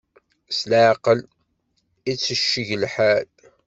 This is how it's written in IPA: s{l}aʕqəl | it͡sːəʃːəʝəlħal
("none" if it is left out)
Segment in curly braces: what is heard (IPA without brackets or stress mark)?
l